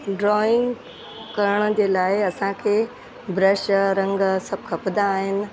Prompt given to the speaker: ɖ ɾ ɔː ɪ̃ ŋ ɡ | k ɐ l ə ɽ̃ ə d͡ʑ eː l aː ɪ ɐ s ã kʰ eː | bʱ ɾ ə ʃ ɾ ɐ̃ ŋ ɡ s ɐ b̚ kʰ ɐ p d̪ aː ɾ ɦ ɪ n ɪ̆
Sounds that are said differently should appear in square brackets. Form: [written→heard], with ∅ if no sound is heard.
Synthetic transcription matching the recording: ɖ ɾ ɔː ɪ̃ ŋ ɡ | k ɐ [l→ɾ] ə ɽ̃ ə d͡ʑ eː l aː ɪ ɐ s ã kʰ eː | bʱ ɾ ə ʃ ɾ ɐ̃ ŋ ɡ s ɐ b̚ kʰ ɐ p d̪ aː [ɾ→∅] ɦ ɪ n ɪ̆